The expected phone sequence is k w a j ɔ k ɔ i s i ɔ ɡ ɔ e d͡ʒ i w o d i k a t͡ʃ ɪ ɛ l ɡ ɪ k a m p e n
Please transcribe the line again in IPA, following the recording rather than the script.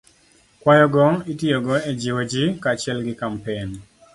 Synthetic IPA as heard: k w a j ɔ ɡ ɔ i t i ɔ ɡ ɔ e d͡ʒ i w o d͡ʒ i k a t͡ʃ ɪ ɛ l ɡ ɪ k a m p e n

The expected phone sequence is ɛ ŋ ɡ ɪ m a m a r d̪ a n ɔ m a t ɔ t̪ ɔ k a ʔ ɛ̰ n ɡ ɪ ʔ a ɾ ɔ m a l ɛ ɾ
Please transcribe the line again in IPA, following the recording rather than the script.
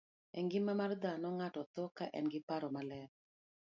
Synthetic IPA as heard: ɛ ŋ ɡ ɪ m a m a r d̪ a n ɔ ŋ a t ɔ t̪ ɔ k a ʔ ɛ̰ n ɡ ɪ p a ɾ ɔ m a l ɛ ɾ

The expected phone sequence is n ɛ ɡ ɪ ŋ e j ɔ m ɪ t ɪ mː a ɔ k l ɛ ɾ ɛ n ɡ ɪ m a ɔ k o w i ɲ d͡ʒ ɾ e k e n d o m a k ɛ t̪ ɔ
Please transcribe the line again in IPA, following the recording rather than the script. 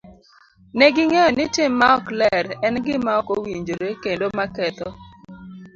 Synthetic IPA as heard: n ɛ ɡ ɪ ŋ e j ɔ n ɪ t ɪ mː a ɔ k l ɛ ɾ ɛ n ɡ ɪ m a ɔ k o w i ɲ d͡ʒ ɾ e k e n d o m a k ɛ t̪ ɔ

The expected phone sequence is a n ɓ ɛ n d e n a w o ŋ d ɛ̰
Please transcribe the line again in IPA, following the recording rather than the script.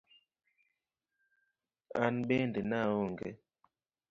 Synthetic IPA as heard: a n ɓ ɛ n d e n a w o ŋ ɡ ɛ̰

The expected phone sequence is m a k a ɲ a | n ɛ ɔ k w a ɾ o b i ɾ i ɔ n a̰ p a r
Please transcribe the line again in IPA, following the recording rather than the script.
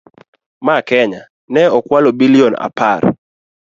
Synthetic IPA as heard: m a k ɛ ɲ a | n ɛ ɔ k w a l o b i l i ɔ n a̰ p a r

